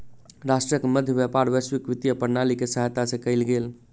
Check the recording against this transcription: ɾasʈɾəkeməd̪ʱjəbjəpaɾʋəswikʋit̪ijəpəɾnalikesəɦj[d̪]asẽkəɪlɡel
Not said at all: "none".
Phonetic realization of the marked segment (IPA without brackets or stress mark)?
t̪